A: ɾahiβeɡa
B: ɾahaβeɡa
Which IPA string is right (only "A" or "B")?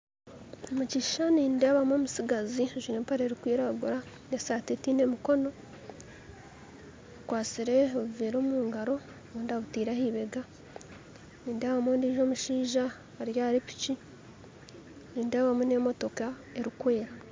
A